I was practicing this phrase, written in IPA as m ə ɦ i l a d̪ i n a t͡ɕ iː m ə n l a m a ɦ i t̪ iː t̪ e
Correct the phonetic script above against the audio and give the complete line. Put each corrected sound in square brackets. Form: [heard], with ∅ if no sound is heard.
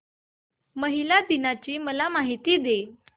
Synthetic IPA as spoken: m ə ɦ i l a d̪ i n a t͡ɕ iː m ə [∅] l a m a ɦ i t̪ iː [d̪] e

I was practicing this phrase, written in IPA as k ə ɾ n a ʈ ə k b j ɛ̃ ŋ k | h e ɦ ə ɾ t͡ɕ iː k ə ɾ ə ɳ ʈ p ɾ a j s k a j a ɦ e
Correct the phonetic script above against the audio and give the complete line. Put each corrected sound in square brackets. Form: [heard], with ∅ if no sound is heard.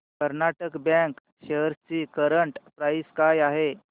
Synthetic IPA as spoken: k ə ɾ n a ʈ ə k b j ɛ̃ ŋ k | [ɕ] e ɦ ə ɾ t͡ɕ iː k ə ɾ ə ɳ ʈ p ɾ a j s k a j a ɦ e

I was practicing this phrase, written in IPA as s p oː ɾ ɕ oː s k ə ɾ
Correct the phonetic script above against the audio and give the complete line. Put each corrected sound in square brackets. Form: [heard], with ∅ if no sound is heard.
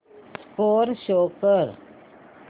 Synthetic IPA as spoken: s [k] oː ɾ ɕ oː [∅] k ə ɾ

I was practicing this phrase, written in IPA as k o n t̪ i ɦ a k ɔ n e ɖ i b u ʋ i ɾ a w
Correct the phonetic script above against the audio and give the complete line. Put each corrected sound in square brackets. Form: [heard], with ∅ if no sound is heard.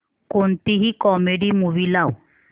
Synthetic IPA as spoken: k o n t̪ i ɦ [i] k ɔ [m] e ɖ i [m] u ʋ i [l] a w

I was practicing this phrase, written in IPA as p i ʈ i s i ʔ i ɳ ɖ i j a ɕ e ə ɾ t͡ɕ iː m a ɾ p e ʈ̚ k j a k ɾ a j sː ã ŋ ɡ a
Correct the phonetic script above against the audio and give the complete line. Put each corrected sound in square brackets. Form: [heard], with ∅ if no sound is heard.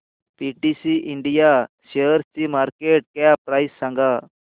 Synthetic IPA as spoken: p i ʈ i s i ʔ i ɳ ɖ i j a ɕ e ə ɾ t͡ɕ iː m a ɾ [k] e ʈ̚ k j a [p] ɾ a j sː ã ŋ ɡ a

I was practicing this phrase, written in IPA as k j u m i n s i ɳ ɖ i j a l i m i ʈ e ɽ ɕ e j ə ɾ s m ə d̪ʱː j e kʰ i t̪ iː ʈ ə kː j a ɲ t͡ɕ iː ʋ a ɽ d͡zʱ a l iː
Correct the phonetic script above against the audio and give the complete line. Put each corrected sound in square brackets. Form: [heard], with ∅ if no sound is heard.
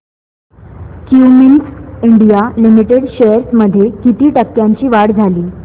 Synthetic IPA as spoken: k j u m i n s i ɳ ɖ i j a l i m i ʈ e ɽ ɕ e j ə ɾ s m ə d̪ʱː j e [k] i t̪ iː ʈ ə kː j a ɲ t͡ɕ iː ʋ a ɽ d͡zʱ a l iː

